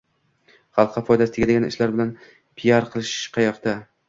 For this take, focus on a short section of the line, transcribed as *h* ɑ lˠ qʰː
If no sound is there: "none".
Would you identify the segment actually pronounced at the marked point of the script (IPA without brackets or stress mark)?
χ